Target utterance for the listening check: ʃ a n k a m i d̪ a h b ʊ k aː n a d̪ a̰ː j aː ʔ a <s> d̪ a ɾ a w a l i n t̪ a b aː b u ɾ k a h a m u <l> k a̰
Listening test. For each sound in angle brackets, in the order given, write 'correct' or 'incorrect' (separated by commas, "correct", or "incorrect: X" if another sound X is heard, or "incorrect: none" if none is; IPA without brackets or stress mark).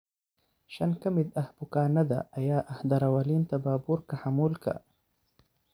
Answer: incorrect: h, correct